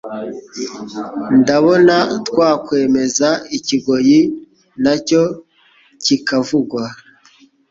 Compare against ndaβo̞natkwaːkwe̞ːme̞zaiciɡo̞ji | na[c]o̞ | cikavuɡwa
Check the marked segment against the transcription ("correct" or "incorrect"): correct